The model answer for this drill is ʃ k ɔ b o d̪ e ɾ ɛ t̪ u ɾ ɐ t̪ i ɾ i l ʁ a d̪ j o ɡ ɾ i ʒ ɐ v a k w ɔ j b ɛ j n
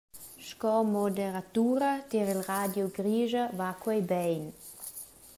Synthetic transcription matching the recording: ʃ k ɔ m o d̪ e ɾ a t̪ u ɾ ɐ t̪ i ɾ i l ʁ a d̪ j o ɡ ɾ i ʒ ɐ v a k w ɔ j b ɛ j n